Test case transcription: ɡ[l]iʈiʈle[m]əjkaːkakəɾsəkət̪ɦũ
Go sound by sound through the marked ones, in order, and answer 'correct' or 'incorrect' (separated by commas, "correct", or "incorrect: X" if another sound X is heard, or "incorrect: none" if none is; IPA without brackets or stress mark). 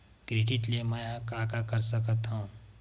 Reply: incorrect: ɾ, correct